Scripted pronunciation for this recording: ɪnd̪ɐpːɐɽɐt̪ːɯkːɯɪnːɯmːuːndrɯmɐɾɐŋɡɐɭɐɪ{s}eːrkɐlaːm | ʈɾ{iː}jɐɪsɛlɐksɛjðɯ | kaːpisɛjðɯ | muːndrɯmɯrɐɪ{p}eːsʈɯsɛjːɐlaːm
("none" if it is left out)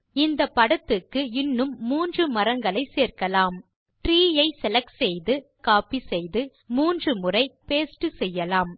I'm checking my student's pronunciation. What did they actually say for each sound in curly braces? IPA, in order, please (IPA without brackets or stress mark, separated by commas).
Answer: s, iː, p